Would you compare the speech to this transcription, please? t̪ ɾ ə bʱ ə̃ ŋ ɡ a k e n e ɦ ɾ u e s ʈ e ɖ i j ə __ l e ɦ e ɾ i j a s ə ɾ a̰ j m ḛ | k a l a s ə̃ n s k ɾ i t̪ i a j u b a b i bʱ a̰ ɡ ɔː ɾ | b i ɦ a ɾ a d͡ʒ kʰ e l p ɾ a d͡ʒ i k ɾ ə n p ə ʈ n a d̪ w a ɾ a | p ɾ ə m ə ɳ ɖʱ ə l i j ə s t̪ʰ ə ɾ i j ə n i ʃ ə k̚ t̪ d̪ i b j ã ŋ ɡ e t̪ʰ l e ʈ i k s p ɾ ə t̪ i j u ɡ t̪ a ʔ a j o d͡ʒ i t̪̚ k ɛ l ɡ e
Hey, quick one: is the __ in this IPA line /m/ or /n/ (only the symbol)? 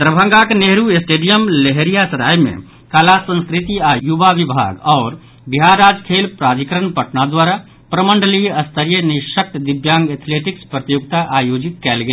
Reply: m